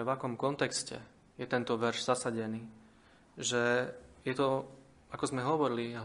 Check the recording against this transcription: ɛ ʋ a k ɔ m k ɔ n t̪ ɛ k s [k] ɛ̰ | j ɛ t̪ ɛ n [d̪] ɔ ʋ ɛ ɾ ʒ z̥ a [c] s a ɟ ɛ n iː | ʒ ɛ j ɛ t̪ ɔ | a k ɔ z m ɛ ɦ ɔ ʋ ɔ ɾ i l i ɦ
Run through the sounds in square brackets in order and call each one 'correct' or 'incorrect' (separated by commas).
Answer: incorrect, incorrect, incorrect